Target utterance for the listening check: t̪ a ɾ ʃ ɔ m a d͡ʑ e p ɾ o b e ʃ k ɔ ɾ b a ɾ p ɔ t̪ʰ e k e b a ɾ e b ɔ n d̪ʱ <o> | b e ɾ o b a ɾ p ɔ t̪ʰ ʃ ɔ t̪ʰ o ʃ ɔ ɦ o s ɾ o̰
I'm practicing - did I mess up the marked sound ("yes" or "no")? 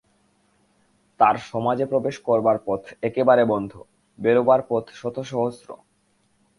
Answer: no